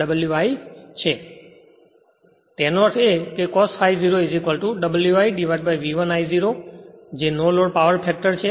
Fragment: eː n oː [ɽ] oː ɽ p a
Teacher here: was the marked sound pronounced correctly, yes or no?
no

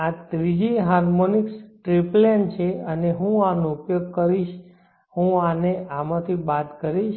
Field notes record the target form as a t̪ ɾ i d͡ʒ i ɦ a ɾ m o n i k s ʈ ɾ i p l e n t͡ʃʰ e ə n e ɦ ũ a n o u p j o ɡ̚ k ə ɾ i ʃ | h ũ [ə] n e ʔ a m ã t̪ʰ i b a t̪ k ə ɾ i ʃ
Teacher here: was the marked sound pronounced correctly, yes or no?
no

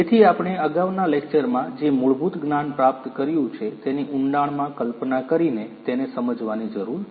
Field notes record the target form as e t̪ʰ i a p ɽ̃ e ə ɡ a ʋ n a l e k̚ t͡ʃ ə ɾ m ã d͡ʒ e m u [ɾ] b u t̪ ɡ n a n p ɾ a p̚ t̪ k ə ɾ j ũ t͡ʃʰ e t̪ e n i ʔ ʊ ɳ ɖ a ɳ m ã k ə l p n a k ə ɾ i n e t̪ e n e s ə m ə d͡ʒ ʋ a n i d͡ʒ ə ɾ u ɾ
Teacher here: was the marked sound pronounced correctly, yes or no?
no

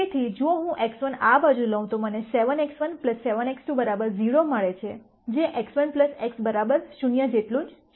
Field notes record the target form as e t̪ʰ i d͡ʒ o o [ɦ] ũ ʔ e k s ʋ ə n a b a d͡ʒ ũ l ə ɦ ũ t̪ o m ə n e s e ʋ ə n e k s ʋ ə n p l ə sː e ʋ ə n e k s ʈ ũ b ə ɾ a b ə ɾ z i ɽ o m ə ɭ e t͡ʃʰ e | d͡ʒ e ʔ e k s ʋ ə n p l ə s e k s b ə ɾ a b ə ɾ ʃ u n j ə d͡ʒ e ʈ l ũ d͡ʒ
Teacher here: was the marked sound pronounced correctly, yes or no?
yes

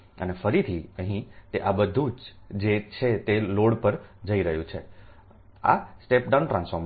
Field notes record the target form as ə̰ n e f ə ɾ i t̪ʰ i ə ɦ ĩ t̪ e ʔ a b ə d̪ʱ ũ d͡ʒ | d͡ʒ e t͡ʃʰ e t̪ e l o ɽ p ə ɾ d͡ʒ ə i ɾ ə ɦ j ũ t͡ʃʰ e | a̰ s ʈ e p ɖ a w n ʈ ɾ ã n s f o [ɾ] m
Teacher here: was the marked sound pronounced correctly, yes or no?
yes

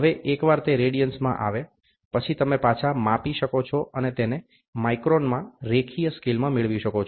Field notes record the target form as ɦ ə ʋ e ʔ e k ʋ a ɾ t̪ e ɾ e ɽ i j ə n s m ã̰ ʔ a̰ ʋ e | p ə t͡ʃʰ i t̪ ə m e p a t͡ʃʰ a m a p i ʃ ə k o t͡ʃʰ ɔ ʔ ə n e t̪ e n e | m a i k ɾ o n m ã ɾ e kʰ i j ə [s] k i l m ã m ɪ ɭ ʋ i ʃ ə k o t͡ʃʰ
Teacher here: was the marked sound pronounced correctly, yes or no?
yes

